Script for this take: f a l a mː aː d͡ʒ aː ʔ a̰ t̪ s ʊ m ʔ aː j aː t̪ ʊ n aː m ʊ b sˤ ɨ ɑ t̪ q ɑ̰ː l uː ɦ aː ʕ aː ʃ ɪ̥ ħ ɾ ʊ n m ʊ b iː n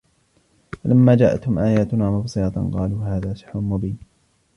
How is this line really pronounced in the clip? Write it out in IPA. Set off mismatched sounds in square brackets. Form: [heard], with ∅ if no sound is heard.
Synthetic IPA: f a l a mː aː d͡ʒ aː ʔ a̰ t̪ [h] ʊ m ʔ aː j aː t̪ ʊ n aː m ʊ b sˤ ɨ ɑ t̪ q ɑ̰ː l uː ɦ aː [ð] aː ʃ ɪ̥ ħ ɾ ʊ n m ʊ b iː n